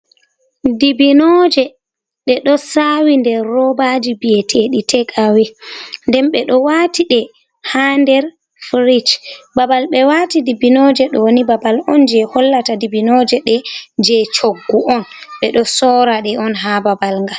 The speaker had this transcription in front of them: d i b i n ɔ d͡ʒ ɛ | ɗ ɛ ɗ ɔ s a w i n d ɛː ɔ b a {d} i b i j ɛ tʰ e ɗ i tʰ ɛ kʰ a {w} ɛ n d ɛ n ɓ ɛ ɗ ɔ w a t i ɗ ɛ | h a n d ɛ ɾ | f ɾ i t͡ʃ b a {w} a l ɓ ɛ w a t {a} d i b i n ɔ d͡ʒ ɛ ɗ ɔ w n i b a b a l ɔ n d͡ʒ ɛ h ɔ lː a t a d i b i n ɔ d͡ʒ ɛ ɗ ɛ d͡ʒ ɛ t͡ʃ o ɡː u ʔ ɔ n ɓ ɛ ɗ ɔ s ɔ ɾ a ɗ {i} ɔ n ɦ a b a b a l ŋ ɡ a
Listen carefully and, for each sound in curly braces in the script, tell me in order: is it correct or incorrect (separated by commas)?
incorrect, correct, incorrect, incorrect, incorrect